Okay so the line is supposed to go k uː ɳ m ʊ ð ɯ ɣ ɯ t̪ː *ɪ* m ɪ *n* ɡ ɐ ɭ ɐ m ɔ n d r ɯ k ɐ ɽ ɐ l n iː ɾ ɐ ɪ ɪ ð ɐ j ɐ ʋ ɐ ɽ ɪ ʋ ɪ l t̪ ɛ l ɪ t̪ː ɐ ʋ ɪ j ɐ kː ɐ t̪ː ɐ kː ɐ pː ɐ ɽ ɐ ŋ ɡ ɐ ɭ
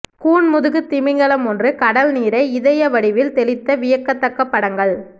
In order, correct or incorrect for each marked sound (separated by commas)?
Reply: correct, incorrect